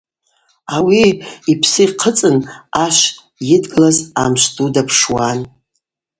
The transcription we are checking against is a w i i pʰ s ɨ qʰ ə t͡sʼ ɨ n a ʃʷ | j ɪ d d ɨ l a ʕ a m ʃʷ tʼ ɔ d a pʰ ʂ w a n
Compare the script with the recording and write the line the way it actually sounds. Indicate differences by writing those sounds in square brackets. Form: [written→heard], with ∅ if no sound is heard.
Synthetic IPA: a w i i pʰ s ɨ qʰ ə t͡sʼ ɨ n a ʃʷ | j ɪ d [d→ɡ] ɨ l a [ʕ→z] a m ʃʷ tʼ [ɔ→u] d a pʰ ʂ w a n